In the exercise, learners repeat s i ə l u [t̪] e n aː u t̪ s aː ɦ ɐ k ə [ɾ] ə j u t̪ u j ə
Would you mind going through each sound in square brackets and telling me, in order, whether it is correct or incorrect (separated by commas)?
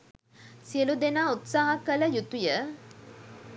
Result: incorrect, incorrect